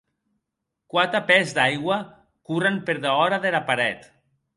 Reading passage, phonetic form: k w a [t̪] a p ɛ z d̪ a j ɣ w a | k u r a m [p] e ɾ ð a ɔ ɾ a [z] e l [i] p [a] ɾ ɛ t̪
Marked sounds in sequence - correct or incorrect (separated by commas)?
correct, correct, incorrect, incorrect, correct